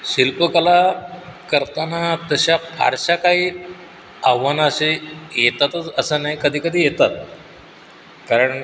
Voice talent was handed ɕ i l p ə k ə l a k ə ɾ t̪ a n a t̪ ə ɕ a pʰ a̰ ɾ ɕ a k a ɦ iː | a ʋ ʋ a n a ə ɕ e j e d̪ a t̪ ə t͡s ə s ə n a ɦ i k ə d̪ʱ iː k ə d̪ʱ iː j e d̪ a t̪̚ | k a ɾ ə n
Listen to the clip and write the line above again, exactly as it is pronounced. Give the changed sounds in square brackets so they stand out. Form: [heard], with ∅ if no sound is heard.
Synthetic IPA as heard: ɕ i l p ə k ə l a k ə ɾ t̪ a n a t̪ ə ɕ a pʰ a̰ ɾ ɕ a k a ɦ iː | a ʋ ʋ a n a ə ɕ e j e [t̪] a t̪ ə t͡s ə s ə n a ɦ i k ə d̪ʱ iː k ə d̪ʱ iː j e [t̪] a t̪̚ | k a ɾ ə [ɳ]

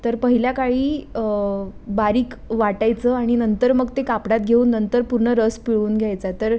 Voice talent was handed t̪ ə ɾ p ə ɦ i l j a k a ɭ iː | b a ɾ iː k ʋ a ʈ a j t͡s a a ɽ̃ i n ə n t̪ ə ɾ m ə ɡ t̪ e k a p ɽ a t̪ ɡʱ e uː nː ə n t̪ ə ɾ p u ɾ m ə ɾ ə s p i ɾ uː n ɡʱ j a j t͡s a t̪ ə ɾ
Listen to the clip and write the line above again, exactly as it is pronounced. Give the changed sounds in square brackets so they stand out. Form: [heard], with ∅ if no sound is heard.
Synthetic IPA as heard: t̪ ə ɾ p ə ɦ i l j a k a ɭ iː | b a ɾ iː k ʋ a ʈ a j t͡s [ə] a ɽ̃ i n ə n t̪ ə ɾ m ə ɡ t̪ e k a p ɽ a t̪ ɡʱ e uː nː ə n t̪ ə ɾ p u ɾ [ɳ] ə ɾ ə s p i [ɭ] uː n ɡʱ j a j t͡s a t̪ ə ɾ

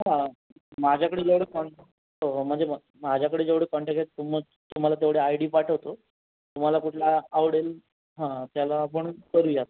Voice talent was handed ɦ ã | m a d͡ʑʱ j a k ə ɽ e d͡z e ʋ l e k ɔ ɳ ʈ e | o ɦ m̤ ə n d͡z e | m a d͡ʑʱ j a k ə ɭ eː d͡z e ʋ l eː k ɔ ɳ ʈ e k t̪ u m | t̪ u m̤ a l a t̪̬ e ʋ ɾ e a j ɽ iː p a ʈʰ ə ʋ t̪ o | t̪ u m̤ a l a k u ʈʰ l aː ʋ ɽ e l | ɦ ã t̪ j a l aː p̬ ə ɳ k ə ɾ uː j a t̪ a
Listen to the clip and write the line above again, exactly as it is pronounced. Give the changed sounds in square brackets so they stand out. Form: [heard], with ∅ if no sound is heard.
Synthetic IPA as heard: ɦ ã | m a d͡ʑʱ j a k ə ɽ e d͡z e ʋ [ɽ] e k ɔ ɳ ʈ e | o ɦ m̤ ə [ɳ] d͡z e | m a d͡ʑʱ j a k ə [ɽ] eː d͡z e ʋ [ɽ] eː k ɔ ɳ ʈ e k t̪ u m | t̪ u m̤ a l a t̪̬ e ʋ [ɽ] e a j ɽ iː p a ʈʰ ə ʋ t̪ o | t̪ u m̤ a l a k u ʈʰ l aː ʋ ɽ e l | ɦ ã t̪ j a l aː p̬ ə ɳ k ə ɾ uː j a t̪ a

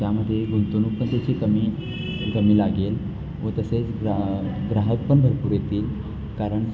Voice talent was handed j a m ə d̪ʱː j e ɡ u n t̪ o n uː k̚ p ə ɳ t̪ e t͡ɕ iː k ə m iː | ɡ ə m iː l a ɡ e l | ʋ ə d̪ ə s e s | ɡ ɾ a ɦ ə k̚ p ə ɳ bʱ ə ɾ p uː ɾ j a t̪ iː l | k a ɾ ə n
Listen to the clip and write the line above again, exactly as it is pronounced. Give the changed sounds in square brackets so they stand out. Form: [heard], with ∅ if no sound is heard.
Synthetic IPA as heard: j a m ə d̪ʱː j e ɡ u n t̪ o n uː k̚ p ə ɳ t̪ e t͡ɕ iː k ə m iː | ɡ ə m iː l a ɡ e l | ʋ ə [t̪] ə s e [t͡s] | ɡ ɾ a ɦ ə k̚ p ə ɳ bʱ ə ɾ p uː ɾ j [e] t̪ iː l | k a ɾ ə [ɳ]

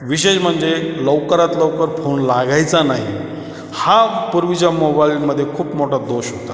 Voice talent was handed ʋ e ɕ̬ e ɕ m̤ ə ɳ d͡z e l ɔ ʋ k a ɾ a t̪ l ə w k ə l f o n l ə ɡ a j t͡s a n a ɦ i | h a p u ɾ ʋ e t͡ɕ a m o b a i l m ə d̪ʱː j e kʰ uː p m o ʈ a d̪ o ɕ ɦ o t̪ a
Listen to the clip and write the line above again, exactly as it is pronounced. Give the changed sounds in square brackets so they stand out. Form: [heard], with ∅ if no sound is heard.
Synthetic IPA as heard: ʋ [i] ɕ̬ e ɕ m̤ ə ɳ d͡z e l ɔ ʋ k [ə] ɾ a t̪ l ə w k ə [ɾ] f o n l [a] ɡ a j t͡s a n a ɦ i | h a p u ɾ ʋ [i] t͡ɕ a m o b a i l m ə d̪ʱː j e kʰ uː p m o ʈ a d̪ o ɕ ɦ o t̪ a

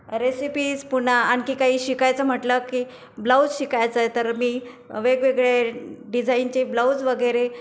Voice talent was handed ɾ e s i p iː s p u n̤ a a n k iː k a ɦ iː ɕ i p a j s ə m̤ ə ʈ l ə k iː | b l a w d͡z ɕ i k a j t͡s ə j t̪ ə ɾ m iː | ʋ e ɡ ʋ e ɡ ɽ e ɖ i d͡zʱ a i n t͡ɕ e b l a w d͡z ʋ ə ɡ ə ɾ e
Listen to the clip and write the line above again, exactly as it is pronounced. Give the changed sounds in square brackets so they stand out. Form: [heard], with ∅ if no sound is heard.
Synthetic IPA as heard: ɾ e s i p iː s p u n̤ a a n k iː k a ɦ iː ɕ i [k] a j [t͡s] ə m̤ ə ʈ l ə k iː | b l a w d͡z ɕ i k a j t͡s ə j t̪ ə ɾ m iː | ʋ e ɡ ʋ e ɡ [ɭ] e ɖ i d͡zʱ a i n t͡ɕ e b l a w d͡z ʋ ə ɡ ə ɾ e

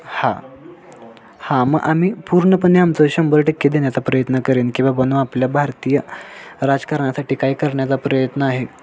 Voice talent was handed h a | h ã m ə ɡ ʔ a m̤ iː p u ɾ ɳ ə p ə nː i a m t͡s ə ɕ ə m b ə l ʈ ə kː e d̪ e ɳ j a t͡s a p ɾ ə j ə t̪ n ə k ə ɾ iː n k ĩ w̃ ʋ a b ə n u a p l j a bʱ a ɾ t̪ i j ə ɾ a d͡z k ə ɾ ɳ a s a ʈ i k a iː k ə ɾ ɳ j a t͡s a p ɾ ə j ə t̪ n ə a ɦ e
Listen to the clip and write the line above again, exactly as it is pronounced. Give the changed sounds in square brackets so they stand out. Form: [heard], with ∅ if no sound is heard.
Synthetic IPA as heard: h a | h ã m ə ɡ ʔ a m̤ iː p u ɾ ɳ ə p ə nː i a m t͡s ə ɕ ə m b ə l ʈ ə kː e d̪ e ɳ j a t͡s a p ɾ ə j ə t̪ n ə k ə ɾ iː n k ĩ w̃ ʋ a b ə n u a p l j a bʱ a ɾ t̪ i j ə ɾ a d͡z k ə ɾ ɳ a s a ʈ i k a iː k ə ɾ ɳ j a t͡s a p ɾ ə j ə t̪ n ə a ɦ e

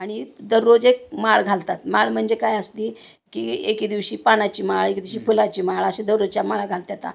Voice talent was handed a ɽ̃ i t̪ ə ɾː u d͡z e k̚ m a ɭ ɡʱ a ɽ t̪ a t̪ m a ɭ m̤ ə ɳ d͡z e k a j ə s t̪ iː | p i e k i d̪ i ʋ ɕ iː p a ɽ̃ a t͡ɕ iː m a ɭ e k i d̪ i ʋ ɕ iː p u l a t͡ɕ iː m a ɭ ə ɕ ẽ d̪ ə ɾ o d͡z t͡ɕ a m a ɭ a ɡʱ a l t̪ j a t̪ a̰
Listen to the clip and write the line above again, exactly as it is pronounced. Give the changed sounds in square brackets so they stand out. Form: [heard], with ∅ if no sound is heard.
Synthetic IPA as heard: a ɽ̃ i [d̪] ə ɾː [o] d͡z e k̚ m a ɭ ɡʱ a [l] t̪ a t̪ m a ɭ m̤ ə ɳ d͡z e k a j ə s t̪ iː | [k] i e k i d̪ i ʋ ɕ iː p a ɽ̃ a t͡ɕ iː m a ɭ e k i d̪ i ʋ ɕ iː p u l a t͡ɕ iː m a ɭ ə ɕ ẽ d̪ ə ɾ o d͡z t͡ɕ a m a ɭ a ɡʱ a l t̪ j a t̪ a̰

